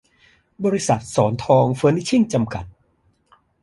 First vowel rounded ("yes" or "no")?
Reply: yes